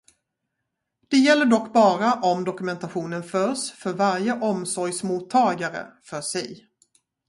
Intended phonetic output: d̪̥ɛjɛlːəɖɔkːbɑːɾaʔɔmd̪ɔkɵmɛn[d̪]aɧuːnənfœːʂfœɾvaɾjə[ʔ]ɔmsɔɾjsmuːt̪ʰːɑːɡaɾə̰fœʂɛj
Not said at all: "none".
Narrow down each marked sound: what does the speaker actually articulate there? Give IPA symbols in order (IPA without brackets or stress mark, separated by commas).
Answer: t̪, ʔ